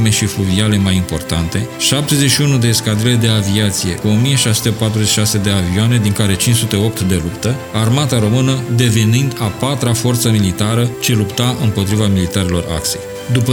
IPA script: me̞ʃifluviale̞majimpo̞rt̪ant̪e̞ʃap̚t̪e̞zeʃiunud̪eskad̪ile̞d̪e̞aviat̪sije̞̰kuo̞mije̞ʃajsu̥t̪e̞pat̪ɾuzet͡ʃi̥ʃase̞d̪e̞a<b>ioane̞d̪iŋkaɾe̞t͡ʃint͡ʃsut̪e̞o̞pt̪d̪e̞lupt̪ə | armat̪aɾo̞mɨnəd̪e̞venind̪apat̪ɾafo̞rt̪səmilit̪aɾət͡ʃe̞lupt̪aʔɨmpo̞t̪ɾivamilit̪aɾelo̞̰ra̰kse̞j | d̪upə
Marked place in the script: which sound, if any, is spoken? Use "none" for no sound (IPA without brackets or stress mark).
v